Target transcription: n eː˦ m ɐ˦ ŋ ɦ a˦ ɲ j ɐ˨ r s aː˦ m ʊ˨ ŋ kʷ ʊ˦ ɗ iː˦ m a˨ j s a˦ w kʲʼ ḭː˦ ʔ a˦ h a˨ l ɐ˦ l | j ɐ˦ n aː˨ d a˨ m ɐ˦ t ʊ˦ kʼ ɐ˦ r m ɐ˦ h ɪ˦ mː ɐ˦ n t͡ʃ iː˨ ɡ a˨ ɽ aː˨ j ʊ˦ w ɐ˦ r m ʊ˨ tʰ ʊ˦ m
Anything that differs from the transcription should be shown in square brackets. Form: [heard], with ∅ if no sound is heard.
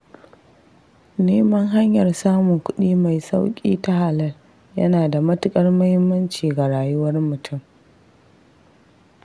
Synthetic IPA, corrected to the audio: n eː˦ m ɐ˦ ŋ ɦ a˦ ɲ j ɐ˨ r s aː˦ m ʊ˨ ŋ kʷ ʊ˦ ɗ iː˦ m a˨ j s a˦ w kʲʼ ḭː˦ [t] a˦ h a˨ l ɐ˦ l | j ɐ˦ n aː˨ d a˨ m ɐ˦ t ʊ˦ kʼ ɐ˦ r m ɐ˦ h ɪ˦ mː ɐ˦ n t͡ʃ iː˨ ɡ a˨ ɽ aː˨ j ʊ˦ w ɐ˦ r m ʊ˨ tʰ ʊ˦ m

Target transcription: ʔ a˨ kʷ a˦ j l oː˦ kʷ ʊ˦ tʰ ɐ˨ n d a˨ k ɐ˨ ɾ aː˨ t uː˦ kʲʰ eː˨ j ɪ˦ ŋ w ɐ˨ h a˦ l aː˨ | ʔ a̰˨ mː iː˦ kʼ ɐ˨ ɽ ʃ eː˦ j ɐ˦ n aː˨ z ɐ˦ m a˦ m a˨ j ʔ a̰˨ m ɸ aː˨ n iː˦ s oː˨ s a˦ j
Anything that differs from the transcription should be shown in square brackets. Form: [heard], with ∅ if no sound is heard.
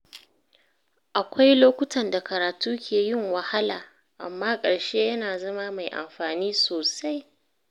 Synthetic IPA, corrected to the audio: ʔ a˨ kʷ a˦ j l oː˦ kʷ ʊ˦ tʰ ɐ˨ n d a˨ k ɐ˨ ɾ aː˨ t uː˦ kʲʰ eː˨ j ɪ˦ ŋ w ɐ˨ h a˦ l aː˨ | ʔ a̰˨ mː [aː˦] kʼ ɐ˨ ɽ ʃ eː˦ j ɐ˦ n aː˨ z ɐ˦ m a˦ m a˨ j ʔ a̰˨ m ɸ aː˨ n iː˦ s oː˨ s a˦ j

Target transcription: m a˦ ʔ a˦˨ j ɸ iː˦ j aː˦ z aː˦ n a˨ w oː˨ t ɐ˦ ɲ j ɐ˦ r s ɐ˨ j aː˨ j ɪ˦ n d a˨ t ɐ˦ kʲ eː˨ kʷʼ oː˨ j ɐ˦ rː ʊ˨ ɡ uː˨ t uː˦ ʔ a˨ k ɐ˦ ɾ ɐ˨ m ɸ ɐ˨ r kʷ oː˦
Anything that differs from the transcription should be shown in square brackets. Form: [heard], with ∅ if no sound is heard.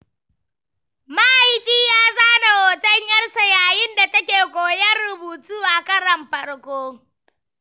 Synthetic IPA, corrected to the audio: m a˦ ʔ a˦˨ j ɸ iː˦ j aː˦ z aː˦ n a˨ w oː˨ t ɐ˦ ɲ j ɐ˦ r s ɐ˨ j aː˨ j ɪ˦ n d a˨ t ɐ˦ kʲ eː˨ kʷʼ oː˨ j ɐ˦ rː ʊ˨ [b] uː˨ t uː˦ ʔ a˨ k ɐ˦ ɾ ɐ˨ m ɸ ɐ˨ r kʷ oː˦

